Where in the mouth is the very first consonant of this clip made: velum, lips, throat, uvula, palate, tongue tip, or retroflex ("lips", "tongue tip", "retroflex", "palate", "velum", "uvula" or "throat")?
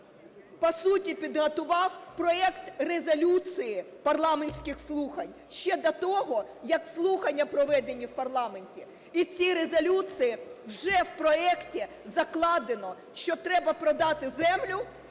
lips